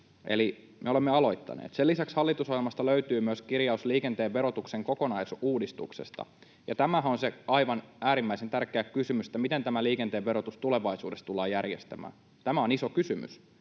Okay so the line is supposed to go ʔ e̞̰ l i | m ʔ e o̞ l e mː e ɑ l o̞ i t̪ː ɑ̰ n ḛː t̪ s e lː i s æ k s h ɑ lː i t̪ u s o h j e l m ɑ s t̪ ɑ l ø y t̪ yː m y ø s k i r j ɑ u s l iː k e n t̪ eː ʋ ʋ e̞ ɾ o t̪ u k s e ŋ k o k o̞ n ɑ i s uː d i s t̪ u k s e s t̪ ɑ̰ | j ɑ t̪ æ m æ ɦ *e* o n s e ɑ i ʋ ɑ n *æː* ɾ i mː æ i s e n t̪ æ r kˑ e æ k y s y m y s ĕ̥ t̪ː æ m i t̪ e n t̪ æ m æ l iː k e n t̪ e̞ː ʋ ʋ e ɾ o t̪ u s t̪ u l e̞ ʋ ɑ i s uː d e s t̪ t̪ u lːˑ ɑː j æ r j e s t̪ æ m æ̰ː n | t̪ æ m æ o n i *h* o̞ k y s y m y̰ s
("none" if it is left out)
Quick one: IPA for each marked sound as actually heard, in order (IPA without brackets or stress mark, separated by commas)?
æ, æː, s